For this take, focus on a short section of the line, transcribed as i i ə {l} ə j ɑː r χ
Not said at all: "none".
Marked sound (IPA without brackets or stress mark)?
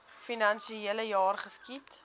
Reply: l